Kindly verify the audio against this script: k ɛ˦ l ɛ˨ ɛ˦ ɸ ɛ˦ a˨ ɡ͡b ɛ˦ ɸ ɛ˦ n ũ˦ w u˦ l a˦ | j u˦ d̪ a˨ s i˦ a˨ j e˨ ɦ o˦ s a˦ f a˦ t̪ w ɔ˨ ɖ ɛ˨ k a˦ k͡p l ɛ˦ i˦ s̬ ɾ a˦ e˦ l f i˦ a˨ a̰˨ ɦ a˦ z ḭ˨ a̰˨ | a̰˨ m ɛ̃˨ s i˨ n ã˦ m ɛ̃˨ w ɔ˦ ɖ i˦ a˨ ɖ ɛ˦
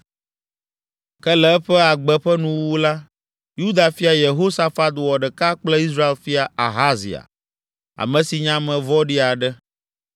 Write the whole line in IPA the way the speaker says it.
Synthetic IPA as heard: k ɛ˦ l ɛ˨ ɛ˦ ɸ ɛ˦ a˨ ɡ͡b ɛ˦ ɸ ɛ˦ n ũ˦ w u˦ l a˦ | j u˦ d̪ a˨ f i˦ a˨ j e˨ ɦ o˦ s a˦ f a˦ t̪ w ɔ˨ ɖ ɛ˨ k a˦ k͡p l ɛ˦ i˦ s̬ ɾ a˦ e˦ l f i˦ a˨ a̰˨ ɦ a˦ z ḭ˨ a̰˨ | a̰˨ m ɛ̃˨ s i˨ ɲ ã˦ m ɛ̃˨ v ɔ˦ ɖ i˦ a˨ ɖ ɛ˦